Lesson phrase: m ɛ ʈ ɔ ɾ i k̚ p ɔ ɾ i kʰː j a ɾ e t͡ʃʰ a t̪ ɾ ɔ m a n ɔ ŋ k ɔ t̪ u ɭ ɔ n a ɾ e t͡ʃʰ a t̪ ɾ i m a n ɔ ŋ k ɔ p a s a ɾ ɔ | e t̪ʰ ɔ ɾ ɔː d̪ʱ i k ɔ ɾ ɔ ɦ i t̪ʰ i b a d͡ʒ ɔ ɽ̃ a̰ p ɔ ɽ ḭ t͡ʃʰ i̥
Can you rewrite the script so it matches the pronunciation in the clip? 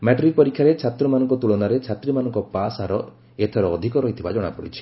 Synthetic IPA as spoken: m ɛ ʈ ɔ ɾ i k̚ p ɔ ɾ i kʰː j a ɾ e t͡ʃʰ a t̪ ɾ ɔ m a n ɔ ŋ k ɔ t̪ u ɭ ɔ n a ɾ e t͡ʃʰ a t̪ ɾ i m a n ɔ ŋ k ɔ p a s a ɾ ɔ | e t̪ʰ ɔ ɾ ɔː d̪ʱ i k ɔ ɾ ɔ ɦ i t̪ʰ i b a d͡ʒ ɔ ɽ̃ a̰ p ɔ ɽ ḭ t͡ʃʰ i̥